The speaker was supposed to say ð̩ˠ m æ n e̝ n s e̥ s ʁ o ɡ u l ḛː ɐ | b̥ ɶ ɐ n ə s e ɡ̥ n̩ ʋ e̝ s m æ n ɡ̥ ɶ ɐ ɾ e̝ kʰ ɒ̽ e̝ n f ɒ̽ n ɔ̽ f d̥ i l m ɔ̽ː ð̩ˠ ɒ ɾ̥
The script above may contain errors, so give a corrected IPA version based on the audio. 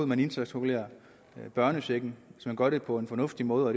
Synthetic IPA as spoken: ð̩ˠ m æ n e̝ n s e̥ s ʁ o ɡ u l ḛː ɐ | b̥ ɶ ɐ n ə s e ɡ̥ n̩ ʋ e̝ s m æ n ɡ̥ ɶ ɐ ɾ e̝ pʰ ɒ̽ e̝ n f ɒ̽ n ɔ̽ f d̥ i m ɔ̽ː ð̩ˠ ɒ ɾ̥